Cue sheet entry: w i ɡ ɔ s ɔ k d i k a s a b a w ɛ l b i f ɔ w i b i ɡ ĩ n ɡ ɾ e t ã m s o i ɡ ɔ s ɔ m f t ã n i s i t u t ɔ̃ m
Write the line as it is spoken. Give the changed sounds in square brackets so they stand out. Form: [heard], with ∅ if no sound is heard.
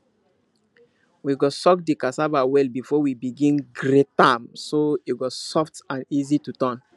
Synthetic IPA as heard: w i ɡ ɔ s ɔ k d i k a s a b a w ɛ l b i f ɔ w i b i ɡ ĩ n ɡ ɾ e t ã m s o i ɡ ɔ s ɔ [∅] f t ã n i [z] i t u t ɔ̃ [n]